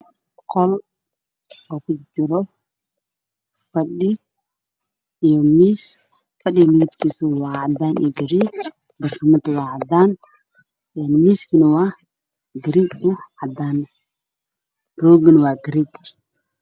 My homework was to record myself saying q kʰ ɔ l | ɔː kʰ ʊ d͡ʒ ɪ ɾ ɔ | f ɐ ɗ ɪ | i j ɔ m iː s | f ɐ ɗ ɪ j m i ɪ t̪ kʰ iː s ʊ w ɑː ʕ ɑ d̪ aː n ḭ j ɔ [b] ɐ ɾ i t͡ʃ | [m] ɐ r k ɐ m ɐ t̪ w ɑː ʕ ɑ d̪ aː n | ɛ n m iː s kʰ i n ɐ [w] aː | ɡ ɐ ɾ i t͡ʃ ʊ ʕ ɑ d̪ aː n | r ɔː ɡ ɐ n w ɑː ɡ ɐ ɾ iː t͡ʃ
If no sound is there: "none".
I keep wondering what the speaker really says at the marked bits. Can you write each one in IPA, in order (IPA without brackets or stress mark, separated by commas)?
ɡ, b, w